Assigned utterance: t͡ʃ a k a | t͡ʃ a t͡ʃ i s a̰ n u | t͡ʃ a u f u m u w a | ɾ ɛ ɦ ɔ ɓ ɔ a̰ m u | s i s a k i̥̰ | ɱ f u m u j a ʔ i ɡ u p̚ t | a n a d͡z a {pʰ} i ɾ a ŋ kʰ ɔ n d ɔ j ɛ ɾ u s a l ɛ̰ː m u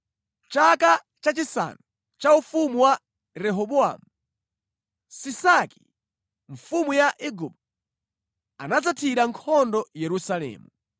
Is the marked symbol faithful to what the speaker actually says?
no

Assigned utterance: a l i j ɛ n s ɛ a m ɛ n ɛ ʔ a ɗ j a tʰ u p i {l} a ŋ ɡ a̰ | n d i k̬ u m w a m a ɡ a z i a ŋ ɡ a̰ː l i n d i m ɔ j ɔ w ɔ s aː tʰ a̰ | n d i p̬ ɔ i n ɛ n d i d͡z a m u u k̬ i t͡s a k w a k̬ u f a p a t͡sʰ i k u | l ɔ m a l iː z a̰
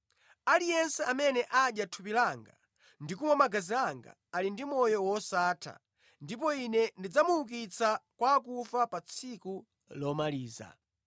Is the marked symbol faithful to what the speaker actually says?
yes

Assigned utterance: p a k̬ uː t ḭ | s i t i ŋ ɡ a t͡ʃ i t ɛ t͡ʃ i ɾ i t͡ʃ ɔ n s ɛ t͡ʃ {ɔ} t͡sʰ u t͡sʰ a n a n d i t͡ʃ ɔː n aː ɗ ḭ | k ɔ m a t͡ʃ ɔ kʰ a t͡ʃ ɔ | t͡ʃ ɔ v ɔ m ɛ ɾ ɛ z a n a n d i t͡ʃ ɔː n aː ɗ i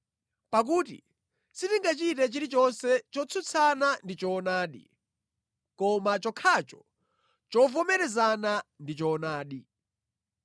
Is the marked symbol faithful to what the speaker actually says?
yes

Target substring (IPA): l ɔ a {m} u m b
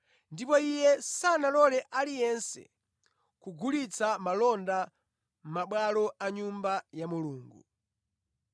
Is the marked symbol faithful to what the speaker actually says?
no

